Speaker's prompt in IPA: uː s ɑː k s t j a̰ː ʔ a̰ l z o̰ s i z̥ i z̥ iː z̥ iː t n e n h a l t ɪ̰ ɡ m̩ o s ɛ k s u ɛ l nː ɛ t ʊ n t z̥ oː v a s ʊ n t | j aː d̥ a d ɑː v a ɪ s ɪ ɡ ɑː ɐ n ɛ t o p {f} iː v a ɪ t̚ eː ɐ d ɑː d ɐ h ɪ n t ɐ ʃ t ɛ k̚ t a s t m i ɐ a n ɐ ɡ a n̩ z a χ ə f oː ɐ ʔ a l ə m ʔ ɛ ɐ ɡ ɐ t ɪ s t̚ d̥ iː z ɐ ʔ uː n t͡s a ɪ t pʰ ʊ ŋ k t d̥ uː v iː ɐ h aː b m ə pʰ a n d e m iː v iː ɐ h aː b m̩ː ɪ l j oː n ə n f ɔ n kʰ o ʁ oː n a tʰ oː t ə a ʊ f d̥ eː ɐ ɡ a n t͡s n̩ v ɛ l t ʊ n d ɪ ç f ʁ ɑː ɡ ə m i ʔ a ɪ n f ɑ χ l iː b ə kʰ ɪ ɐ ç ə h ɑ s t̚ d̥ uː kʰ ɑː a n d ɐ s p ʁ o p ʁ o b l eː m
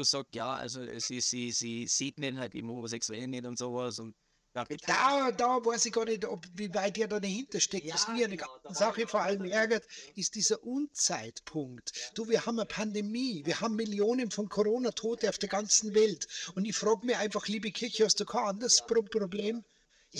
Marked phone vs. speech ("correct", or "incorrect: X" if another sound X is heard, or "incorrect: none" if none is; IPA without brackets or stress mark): incorrect: v